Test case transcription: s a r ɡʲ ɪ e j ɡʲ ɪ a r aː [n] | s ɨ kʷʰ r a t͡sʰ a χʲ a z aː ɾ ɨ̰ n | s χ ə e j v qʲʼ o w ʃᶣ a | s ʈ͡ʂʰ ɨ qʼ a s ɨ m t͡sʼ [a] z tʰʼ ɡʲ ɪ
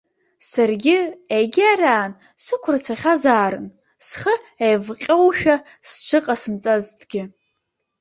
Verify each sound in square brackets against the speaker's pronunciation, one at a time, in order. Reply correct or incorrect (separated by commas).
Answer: correct, correct